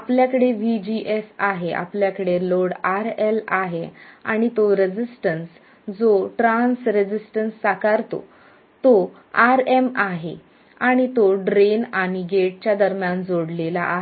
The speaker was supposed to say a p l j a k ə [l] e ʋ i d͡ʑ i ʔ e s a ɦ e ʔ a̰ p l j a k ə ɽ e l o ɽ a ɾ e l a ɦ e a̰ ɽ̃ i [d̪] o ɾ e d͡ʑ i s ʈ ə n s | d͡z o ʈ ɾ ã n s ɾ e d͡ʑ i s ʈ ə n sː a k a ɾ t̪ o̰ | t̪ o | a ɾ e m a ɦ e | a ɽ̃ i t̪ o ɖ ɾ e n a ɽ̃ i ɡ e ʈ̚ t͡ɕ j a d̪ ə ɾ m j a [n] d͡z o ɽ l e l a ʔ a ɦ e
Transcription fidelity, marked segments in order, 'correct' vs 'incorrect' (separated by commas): incorrect, incorrect, correct